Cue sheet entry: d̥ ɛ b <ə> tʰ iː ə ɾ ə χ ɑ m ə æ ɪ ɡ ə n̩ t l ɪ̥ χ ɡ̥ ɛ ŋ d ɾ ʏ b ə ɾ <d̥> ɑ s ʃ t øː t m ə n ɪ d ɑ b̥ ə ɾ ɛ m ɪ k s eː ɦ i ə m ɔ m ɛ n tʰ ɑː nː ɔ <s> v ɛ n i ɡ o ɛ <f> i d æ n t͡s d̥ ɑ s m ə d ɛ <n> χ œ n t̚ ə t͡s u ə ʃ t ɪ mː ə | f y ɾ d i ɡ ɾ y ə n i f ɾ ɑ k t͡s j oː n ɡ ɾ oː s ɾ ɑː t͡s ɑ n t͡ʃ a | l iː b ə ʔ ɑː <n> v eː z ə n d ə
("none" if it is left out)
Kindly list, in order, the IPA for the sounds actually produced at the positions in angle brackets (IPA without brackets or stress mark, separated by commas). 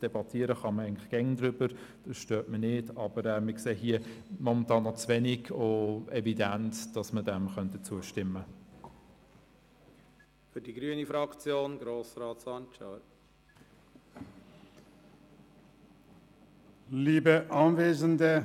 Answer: ɑ, d̥, t͡s, v, m, n